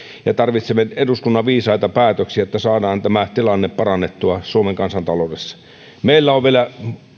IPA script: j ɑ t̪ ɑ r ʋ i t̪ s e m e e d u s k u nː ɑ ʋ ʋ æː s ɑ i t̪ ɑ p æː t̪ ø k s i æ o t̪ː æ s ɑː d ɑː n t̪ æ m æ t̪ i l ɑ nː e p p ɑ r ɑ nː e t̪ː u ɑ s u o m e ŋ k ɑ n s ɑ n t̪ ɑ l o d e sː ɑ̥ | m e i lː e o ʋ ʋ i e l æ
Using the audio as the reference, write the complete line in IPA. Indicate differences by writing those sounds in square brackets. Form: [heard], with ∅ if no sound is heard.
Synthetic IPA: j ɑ t̪ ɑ r ʋ i t̪ s e m e e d u s k u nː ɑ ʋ ʋ [iː] s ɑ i t̪ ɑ p æː t̪ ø k s i æ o t̪ː æ s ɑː d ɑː n t̪ æ m æ t̪ i l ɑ nː e p p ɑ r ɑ nː e t̪ː u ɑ s u o m e ŋ k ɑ n s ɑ n t̪ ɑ l o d e sː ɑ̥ | m e i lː [æ] o ʋ ʋ i e l æ

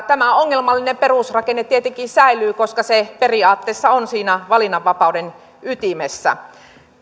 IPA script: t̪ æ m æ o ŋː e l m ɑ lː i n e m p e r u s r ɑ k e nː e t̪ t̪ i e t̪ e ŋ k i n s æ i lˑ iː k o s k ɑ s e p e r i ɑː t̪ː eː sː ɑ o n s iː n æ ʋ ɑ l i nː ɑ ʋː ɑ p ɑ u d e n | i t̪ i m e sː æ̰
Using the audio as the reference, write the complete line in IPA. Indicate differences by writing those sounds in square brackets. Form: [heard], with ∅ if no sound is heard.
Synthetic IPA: t̪ æ m æ o ŋː e l m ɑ lː i n e m p e r u s r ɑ k e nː e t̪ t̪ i e t̪ e ŋ k i n s æ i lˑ [yː] k o s k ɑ s e p e r i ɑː t̪ː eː sː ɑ o n s iː n æ ʋ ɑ l i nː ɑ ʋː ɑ p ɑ u d e n | [y] t̪ i m e sː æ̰

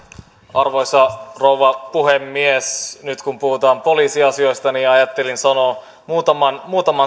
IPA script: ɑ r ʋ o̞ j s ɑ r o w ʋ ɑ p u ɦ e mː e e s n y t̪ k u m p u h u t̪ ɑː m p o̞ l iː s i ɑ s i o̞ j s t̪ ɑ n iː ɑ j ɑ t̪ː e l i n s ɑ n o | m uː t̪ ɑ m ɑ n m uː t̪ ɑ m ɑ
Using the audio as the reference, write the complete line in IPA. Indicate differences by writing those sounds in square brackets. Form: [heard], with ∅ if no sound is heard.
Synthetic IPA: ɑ r ʋ o̞ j s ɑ r o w ʋ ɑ p u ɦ e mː [i] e s n y t̪ k u m p u h u t̪ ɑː m p o̞ l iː s i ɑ s i o̞ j s t̪ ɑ n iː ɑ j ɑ t̪ː e l i n s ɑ n o | m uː t̪ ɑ m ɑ n m uː t̪ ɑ m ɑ

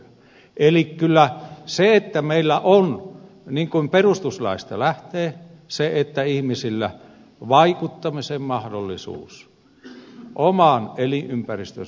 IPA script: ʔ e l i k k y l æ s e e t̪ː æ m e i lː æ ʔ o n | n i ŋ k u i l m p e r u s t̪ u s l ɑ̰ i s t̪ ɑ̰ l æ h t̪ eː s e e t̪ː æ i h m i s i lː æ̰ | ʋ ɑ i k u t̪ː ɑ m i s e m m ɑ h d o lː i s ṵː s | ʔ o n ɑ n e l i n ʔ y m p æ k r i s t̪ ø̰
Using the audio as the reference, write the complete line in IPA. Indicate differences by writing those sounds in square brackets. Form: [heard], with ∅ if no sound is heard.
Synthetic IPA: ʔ e l i k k y [lː] æ s e e t̪ː æ m e i lː æ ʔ o n | n i ŋ k u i [∅] m p e r u s t̪ u s l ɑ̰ i s t̪ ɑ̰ l æ h t̪ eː s e e t̪ː æ i h m i s i lː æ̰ | ʋ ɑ i k u t̪ː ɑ m i s e m m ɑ h d o lː i s ṵː s | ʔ o [m] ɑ n e l i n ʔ y m p æ [∅] r i s t̪ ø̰

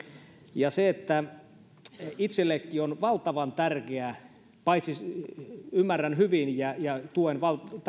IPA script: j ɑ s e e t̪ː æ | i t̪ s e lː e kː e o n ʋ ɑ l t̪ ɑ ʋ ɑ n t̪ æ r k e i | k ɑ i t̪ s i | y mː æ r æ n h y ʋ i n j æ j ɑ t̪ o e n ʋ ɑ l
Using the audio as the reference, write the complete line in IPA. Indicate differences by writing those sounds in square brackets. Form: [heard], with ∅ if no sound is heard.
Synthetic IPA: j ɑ s e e t̪ː æ | i t̪ s e lː e kː [i] o n ʋ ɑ l t̪ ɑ ʋ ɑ n t̪ æ r k e [æ] | [p] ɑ i t̪ s i | y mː æ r æ n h y ʋ i n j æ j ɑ t̪ [u] e n ʋ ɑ l

